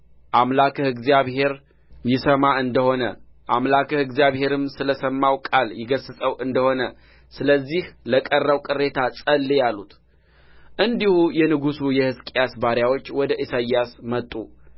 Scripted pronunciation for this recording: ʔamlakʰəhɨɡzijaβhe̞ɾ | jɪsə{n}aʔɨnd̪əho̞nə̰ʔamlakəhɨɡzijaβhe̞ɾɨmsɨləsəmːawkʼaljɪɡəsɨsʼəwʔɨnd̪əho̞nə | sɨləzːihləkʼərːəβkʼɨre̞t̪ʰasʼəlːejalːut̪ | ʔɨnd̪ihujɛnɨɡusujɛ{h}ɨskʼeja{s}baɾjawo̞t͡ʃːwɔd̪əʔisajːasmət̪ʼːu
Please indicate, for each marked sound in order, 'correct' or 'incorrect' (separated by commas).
incorrect, correct, correct